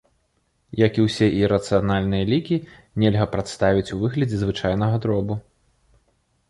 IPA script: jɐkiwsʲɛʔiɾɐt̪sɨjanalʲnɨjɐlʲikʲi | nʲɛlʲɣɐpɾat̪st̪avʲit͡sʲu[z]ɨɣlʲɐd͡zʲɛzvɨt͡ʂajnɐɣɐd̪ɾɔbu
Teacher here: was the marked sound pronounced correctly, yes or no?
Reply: no